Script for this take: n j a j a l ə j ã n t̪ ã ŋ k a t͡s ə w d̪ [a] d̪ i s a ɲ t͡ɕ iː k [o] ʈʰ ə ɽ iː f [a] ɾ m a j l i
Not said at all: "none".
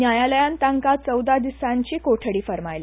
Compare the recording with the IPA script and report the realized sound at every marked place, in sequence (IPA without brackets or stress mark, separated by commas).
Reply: a, o, ə